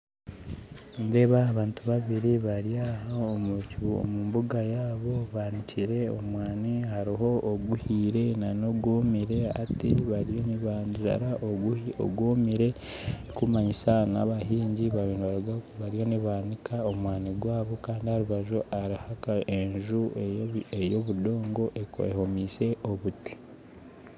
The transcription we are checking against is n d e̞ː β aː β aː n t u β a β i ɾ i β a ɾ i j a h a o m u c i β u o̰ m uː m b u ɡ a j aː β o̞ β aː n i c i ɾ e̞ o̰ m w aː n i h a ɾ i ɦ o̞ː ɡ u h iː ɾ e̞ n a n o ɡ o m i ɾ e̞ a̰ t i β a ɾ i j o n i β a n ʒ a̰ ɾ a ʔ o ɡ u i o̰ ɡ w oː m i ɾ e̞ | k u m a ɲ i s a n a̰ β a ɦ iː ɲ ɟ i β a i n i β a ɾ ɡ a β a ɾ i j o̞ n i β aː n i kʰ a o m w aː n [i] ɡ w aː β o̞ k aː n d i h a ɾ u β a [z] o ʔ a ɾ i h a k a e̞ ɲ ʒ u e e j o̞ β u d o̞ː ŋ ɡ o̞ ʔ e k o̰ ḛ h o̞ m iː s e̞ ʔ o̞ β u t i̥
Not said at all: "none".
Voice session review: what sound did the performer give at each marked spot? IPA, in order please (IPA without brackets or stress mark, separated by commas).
i, ʒ